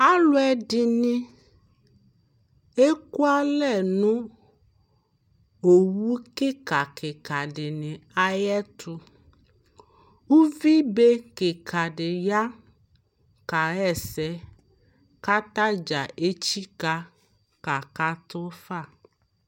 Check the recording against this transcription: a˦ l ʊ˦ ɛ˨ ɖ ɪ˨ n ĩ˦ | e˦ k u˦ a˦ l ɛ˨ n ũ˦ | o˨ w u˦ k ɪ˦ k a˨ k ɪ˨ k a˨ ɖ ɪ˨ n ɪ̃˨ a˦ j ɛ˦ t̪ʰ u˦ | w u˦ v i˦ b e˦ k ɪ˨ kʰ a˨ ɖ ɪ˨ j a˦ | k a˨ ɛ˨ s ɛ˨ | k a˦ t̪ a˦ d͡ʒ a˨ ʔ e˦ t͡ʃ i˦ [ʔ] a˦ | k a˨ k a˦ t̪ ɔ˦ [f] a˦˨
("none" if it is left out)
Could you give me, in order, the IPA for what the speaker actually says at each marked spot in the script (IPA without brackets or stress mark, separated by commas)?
k, f